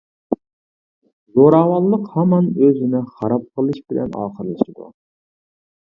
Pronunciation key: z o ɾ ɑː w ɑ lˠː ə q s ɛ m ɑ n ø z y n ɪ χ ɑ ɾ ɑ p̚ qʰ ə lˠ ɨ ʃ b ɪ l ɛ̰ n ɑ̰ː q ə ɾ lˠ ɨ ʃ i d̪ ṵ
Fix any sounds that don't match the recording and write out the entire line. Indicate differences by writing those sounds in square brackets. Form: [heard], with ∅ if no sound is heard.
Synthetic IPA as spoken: z o ɾ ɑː w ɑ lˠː ə q [h] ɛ m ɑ n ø z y n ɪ χ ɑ ɾ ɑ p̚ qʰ ə lˠ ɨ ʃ b ɪ l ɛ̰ n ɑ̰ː q ə ɾ lˠ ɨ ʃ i d̪ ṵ